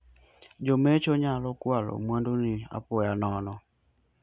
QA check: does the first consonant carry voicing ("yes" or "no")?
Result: yes